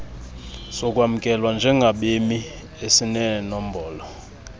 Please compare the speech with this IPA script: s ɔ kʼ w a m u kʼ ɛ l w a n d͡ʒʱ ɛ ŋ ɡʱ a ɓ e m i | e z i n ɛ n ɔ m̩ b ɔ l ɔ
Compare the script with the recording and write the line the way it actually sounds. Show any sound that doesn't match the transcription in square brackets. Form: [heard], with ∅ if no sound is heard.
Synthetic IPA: s ɔ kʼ w a m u kʼ ɛ l w a n d͡ʒʱ ɛ ŋ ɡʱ a ɓ e m i | e [s] i n ɛ n ɔ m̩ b [ɔː] l ɔ